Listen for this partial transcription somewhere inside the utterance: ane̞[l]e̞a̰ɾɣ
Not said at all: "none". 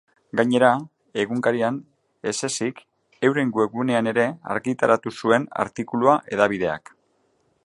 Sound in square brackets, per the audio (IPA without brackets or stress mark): ɾ